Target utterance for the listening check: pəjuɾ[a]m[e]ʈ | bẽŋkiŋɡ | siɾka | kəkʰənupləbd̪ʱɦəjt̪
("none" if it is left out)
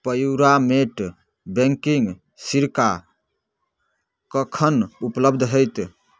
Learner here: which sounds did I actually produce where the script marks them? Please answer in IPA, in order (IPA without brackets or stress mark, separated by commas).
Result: a, e